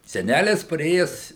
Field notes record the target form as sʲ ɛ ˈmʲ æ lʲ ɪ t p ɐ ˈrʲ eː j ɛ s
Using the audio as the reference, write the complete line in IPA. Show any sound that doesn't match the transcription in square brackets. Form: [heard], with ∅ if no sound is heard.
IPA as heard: sʲ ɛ [ˈnʲ] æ lʲ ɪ [s] p ɐ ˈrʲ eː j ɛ s